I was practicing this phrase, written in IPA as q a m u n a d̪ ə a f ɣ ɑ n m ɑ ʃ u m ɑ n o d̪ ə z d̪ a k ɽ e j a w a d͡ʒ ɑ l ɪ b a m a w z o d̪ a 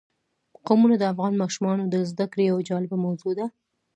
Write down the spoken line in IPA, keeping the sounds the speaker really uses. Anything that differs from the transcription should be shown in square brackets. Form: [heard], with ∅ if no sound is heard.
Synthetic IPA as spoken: q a m u n a d̪ ə a f ɣ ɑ n m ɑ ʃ u m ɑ n o d̪ ə z d̪ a k ɽ e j a w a d͡ʒ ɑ l ɪ b a m a w z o d̪ a

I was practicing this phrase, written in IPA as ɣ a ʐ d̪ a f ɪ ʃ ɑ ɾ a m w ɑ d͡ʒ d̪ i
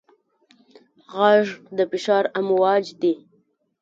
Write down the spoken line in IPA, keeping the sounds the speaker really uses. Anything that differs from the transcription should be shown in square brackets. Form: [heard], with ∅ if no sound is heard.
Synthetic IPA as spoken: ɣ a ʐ d̪ [ə] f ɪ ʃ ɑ ɾ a m w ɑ d͡ʒ d̪ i

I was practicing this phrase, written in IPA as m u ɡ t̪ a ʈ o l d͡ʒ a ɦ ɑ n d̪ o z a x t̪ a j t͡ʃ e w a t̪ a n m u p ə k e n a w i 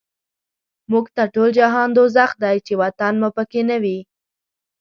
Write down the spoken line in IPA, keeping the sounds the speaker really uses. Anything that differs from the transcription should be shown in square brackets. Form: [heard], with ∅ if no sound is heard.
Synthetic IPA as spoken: m u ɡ t̪ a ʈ o l d͡ʒ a ɦ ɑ n d̪ o z a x [d̪] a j t͡ʃ e w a t̪ a n m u p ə k e n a w i

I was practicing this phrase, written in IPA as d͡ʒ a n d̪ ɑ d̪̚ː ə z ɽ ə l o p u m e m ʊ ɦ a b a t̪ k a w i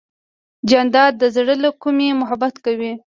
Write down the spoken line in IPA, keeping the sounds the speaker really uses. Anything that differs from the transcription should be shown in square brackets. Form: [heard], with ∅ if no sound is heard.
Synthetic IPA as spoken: d͡ʒ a n d̪ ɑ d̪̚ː ə z ɽ ə l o [k] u m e m ʊ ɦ a b a t̪ k a w i

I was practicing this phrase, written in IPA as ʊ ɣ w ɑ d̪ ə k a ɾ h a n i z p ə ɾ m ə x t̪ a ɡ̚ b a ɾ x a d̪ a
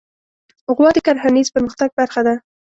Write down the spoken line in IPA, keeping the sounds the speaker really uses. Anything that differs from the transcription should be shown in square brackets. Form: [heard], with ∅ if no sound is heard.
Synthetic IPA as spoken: ʊ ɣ w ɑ d̪ ə k a ɾ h a n i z p ə ɾ m ə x t̪ a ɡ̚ b a ɾ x a d̪ a

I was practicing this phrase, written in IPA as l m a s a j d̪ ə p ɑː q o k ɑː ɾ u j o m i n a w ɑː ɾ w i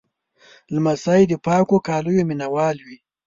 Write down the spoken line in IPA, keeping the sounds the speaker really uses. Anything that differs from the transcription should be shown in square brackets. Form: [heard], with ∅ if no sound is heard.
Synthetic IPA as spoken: l m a s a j d̪ ə p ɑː [k] o k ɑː [l] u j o m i n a w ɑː [l] w i

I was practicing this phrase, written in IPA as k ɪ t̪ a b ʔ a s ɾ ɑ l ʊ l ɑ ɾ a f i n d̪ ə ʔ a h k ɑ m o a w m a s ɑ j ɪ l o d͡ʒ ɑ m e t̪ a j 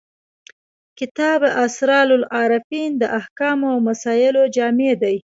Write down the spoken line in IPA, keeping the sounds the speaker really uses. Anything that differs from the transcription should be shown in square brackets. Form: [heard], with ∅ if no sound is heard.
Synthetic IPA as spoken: k ɪ t̪ [ɑ] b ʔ a s ɾ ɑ l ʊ l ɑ ɾ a f i n d̪ ə ʔ a h k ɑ m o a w m a s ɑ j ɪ l o d͡ʒ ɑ m e [d̪] a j

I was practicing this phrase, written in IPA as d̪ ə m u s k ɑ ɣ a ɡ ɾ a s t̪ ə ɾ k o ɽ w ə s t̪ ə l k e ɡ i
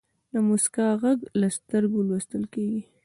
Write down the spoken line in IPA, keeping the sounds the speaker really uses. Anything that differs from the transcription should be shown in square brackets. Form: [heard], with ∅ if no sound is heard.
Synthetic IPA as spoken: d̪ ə m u s k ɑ ɣ a ɡ [l] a s t̪ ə ɾ [ɡ] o [l] w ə s t̪ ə l k e ɡ i

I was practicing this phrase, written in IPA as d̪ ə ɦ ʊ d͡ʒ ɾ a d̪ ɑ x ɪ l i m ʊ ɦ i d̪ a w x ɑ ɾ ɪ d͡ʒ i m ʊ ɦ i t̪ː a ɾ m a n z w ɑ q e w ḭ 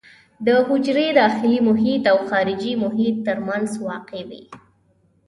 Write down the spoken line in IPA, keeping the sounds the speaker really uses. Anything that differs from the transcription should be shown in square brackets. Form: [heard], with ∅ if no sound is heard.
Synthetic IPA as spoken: d̪ ə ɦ ʊ d͡ʒ ɾ [e] d̪ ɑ x ɪ l i m ʊ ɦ i [t̪] a w x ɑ ɾ ɪ d͡ʒ i m ʊ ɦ i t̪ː [ə] ɾ m a n z w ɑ q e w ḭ

